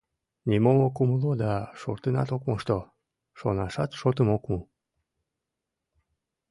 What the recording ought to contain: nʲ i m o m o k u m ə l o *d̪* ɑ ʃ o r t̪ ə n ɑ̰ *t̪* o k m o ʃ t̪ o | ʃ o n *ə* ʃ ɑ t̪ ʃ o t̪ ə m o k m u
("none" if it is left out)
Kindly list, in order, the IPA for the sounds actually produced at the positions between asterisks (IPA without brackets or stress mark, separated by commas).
d̪, t̪, ɑ